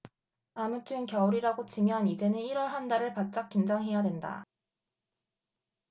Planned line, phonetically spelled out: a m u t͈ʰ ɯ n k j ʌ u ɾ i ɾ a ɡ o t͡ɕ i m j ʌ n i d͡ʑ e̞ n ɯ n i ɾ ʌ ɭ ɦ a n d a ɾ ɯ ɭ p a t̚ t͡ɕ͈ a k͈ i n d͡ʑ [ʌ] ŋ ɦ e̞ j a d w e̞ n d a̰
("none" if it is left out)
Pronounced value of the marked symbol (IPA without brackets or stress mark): a